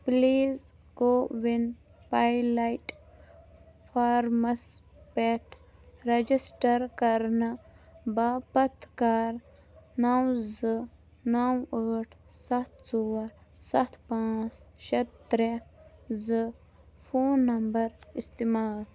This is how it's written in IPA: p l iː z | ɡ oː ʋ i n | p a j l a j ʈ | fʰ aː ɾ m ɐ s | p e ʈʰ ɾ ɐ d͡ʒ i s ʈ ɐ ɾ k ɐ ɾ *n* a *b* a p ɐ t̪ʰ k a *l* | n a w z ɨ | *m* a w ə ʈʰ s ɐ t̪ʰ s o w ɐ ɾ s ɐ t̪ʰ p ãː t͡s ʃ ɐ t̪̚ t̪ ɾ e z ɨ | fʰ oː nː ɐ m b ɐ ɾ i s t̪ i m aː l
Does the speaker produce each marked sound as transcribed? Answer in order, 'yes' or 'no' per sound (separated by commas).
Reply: yes, yes, no, no